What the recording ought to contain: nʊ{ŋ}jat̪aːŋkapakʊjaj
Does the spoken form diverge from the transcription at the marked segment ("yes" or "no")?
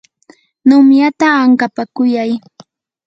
yes